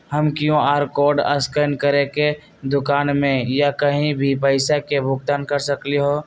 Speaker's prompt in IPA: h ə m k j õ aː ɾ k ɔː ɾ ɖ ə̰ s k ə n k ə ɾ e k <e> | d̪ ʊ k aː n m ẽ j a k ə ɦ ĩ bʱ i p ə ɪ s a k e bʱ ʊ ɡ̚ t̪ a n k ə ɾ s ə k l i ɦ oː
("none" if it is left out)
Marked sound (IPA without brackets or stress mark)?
e